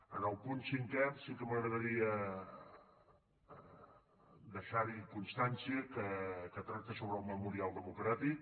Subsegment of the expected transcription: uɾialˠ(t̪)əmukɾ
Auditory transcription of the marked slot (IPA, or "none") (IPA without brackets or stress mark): d̪